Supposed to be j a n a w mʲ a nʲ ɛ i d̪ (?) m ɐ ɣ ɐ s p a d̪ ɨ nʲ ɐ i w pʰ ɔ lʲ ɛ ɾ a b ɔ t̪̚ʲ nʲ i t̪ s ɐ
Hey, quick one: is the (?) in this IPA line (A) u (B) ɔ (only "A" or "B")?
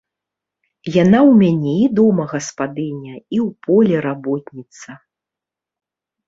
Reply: B